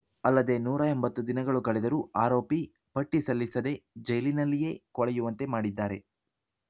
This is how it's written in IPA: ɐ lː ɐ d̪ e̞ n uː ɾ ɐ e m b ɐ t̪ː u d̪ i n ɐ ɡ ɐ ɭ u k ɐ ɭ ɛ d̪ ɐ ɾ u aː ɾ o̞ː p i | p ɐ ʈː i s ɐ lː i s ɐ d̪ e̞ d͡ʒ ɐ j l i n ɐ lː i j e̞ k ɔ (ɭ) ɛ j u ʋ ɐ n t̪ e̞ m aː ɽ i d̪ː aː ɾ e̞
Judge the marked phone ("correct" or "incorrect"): correct